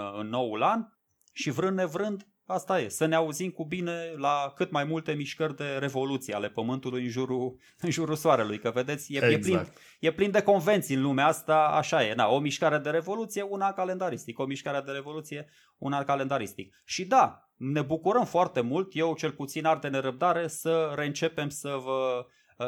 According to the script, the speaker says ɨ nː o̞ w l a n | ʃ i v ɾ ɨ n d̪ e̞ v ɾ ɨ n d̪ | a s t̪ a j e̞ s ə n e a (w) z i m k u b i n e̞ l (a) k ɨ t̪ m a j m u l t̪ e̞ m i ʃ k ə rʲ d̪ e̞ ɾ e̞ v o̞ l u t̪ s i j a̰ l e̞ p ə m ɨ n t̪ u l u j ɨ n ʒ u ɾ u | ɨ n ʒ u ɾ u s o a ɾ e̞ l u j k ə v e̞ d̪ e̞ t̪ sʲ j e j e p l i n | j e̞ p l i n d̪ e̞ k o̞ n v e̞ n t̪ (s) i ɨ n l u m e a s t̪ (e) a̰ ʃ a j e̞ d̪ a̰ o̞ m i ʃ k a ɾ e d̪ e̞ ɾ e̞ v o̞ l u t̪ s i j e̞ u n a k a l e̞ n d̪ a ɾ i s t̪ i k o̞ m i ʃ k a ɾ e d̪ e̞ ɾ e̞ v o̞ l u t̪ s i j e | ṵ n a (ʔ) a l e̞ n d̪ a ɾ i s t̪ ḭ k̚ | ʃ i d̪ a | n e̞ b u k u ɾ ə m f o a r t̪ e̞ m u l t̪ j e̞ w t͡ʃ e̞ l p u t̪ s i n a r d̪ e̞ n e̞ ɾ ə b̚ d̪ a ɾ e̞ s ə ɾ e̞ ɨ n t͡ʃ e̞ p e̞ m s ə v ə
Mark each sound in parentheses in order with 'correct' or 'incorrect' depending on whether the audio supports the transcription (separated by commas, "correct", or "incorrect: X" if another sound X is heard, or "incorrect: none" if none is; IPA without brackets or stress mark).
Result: incorrect: u, correct, correct, incorrect: a, incorrect: k